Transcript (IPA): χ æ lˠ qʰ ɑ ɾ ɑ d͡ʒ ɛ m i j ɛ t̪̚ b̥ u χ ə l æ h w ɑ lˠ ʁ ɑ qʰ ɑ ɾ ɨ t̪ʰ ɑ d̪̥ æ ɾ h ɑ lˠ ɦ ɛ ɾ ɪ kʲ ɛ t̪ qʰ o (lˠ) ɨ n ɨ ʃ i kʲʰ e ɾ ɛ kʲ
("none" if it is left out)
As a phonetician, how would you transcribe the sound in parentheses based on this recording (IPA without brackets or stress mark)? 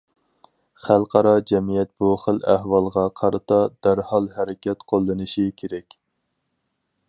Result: lˠː